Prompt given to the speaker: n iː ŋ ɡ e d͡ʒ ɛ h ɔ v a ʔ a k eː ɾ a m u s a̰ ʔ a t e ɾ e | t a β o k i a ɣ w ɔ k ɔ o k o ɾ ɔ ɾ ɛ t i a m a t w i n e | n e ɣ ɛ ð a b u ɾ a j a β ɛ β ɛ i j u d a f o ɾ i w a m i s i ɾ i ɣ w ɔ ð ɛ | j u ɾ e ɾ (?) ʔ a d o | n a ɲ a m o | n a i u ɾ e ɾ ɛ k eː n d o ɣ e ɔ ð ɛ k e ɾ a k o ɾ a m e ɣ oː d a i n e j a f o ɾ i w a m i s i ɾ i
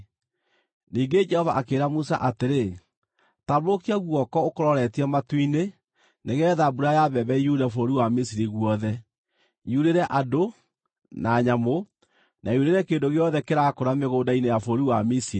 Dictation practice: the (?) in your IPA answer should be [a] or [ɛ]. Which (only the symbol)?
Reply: ɛ